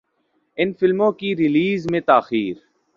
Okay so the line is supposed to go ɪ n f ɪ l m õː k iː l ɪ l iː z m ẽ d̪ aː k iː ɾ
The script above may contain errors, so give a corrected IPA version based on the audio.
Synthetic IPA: ɪ n f ɪ l m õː k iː ɾ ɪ l iː z m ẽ t̪ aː x iː ɾ